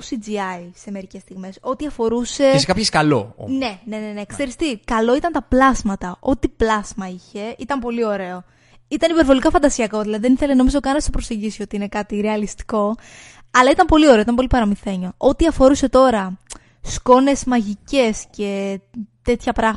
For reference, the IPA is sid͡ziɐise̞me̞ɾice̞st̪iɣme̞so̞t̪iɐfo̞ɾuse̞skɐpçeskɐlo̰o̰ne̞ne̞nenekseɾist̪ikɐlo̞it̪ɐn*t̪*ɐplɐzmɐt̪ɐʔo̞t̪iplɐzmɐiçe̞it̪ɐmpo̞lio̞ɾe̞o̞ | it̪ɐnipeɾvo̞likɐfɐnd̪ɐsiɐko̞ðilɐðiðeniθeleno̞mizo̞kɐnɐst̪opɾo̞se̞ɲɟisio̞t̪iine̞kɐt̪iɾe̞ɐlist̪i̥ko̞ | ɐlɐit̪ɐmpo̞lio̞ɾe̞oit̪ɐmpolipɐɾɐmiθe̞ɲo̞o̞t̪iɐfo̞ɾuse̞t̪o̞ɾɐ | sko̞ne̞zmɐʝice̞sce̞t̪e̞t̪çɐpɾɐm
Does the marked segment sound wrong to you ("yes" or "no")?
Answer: no